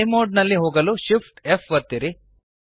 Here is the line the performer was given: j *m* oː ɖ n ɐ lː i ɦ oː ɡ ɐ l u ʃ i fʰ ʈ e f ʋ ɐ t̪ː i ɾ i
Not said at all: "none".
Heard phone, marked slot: m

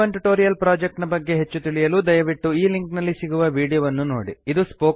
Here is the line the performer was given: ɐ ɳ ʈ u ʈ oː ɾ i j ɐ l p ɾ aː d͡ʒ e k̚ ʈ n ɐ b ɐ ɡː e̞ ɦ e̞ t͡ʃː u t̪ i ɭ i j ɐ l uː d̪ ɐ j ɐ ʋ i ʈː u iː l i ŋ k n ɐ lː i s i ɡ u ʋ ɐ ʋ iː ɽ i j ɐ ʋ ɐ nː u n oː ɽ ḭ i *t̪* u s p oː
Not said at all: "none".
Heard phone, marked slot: d̪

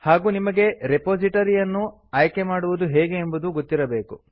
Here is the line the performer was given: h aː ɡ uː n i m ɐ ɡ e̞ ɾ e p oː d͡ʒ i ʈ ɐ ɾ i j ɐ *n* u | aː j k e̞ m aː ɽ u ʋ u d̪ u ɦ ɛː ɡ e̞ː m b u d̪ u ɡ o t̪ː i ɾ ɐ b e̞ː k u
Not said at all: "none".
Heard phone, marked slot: nː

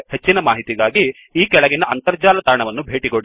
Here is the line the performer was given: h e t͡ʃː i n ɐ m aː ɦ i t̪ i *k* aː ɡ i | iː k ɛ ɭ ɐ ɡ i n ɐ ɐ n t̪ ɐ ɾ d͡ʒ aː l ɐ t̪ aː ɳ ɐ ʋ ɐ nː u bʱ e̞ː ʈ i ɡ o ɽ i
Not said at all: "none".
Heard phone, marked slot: ɡ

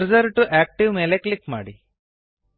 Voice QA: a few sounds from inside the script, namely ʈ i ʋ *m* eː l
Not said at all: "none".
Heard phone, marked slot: m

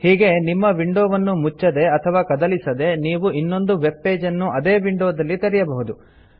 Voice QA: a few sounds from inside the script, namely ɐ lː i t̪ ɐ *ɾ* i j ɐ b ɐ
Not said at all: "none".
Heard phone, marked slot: ɾ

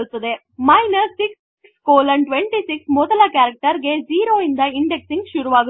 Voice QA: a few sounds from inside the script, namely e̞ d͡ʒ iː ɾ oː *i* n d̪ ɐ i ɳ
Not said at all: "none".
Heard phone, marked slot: i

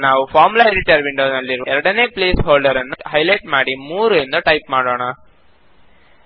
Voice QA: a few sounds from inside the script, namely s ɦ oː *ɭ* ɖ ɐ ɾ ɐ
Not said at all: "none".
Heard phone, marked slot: ɭ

